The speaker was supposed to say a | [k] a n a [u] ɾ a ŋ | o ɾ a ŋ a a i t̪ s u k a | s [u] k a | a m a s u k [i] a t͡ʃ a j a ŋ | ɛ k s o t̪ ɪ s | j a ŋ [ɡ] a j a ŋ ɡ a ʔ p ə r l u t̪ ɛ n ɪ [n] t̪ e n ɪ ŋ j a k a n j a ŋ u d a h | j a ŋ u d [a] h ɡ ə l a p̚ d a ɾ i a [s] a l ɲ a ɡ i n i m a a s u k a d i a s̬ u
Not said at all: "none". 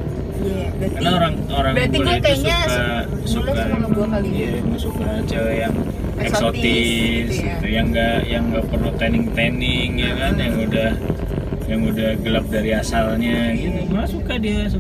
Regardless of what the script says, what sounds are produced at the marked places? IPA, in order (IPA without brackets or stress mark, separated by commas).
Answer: k, o, u, a, ɡ, ŋ, a, s